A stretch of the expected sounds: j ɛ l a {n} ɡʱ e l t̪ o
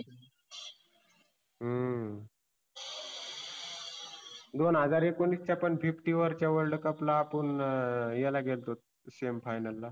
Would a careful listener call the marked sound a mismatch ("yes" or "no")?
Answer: yes